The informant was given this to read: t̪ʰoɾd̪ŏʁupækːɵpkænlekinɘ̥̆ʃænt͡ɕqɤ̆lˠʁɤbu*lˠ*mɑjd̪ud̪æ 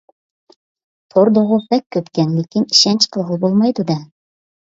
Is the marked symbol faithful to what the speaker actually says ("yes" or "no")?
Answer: yes